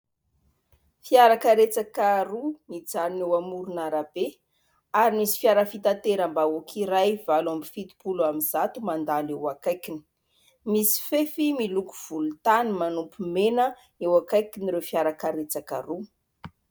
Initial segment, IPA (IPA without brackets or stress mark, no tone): f